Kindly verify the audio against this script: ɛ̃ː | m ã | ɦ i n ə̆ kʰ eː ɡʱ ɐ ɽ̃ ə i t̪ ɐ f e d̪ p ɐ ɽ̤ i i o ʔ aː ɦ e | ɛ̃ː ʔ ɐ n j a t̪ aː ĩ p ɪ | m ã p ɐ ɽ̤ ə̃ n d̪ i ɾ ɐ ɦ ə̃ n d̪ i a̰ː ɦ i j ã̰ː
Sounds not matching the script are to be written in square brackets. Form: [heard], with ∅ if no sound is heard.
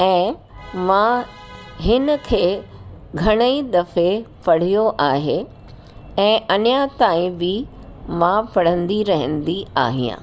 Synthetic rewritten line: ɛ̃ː | m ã | ɦ [ɪ] n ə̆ kʰ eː ɡʱ ɐ ɽ̃ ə i [d̪] ɐ f e [∅] p ɐ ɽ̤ i [j] o ʔ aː ɦ e | ɛ̃ː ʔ ɐ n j a t̪ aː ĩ [b] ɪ | m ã p ɐ ɽ̤ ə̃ n d̪ i ɾ ɐ ɦ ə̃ n d̪ i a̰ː ɦ i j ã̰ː